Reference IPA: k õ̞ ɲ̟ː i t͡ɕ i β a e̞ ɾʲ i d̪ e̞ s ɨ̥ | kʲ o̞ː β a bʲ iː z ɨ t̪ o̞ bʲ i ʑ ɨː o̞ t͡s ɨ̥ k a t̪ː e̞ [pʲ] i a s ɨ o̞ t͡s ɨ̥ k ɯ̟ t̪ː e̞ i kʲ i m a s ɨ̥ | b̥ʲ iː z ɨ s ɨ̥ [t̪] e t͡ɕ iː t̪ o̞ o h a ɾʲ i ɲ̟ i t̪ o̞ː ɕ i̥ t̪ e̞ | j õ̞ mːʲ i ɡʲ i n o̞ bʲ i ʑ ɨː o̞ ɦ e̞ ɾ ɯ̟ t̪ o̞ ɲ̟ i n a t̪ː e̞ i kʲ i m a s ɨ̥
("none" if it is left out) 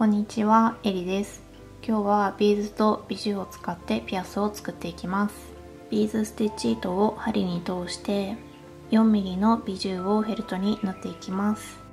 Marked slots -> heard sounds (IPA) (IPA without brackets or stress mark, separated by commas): pʲ, t̪